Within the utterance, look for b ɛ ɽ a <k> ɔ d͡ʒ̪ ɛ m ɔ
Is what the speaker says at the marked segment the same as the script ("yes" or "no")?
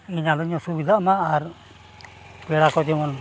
yes